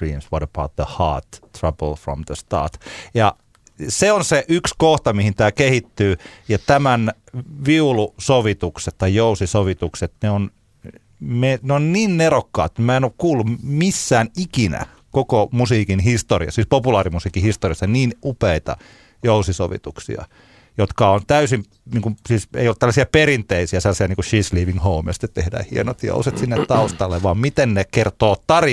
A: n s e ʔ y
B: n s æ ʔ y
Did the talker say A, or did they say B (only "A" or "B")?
A